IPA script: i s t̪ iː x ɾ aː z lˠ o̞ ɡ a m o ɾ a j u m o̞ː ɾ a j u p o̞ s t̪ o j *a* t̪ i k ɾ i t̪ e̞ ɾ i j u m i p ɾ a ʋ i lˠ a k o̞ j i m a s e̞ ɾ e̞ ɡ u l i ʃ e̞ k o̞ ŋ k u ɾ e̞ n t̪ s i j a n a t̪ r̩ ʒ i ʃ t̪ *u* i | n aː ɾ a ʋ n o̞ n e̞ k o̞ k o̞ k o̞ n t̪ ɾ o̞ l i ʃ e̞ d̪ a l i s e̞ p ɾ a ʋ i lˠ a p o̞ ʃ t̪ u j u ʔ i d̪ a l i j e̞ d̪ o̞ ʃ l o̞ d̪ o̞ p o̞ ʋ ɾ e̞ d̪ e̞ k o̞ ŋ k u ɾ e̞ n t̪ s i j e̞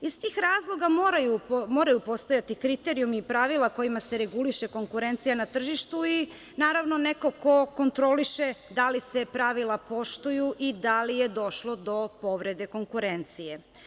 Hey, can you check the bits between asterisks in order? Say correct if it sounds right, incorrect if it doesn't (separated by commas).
correct, correct